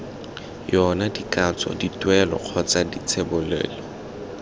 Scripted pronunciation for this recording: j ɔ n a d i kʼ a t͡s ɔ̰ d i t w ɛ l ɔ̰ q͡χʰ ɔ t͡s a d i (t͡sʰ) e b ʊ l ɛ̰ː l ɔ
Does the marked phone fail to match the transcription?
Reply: no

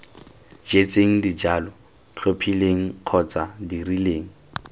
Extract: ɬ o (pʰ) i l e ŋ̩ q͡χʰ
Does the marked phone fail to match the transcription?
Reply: no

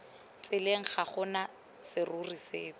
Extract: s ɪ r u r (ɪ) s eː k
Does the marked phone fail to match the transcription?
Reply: yes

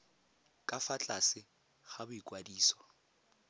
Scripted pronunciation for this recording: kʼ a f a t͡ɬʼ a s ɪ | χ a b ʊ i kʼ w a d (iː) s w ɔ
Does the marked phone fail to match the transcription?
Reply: no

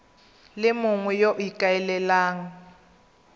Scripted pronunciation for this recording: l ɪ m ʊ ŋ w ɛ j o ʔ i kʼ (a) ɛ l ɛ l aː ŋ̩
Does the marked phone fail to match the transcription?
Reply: no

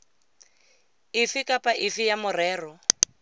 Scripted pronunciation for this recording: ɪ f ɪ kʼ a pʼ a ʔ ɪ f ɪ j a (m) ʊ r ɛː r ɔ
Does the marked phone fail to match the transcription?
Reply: no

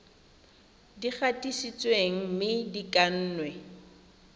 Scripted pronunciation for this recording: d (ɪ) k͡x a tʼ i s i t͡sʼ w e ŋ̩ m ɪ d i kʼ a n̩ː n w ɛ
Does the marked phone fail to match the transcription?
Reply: yes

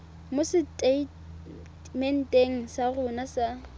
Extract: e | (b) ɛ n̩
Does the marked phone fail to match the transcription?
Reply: yes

